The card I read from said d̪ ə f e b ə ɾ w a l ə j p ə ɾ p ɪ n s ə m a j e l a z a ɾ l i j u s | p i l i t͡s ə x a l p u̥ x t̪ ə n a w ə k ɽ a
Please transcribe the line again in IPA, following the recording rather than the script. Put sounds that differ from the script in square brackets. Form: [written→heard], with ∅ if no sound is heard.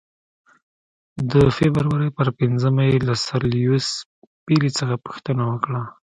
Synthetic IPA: d̪ ə f e b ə ɾ w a [l→ɾ] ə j p ə ɾ p ɪ n [s→z] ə m a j e l a [z→s] a ɾ l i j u s | p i l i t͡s ə x a [l→∅] p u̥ x t̪ ə n a w ə k ɽ a